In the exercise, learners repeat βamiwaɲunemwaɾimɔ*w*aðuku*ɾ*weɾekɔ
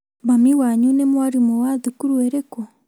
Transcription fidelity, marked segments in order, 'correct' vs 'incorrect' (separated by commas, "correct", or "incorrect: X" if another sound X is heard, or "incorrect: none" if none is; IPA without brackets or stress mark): correct, correct